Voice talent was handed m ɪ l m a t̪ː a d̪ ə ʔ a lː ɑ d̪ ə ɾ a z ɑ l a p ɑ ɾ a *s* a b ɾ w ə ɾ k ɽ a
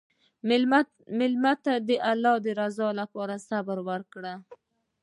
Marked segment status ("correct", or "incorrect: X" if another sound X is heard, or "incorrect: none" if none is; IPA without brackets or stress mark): correct